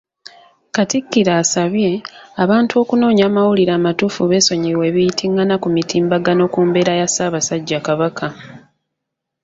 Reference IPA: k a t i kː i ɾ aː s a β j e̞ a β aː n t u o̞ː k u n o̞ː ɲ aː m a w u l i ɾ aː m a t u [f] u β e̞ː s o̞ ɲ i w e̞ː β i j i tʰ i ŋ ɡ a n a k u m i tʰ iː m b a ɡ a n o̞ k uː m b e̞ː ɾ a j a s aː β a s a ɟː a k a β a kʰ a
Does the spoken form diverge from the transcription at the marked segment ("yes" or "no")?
no